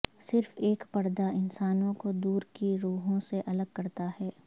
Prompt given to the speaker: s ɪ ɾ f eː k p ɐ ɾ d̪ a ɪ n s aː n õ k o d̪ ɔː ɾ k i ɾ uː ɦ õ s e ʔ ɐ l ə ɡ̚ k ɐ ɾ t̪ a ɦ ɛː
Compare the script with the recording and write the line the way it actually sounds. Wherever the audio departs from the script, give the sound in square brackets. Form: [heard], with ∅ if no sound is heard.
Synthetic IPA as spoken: s ɪ ɾ f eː k p ɐ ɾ d̪ a ɪ n s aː n õ k o d̪ [uː] ɾ k i ɾ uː ɦ õ s e ʔ ɐ l ə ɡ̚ k ɐ ɾ t̪ a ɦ ɛː